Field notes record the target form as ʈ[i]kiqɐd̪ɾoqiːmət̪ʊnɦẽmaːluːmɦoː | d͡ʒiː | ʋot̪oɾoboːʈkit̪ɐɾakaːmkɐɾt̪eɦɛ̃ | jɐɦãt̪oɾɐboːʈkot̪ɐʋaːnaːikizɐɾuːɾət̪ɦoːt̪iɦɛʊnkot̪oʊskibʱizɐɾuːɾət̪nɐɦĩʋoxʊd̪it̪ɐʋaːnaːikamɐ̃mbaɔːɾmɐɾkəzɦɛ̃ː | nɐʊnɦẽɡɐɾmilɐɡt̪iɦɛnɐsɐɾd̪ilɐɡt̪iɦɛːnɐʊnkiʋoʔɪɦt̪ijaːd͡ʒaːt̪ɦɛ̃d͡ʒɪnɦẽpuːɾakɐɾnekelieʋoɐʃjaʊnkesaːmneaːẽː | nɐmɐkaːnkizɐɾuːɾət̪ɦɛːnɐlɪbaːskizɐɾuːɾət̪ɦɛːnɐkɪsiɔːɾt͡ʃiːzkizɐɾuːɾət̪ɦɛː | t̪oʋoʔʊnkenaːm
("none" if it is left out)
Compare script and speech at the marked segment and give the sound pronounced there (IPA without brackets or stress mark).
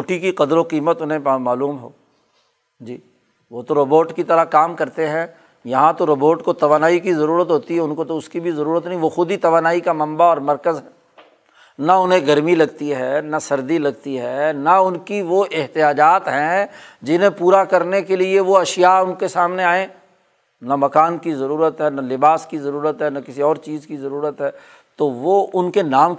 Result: i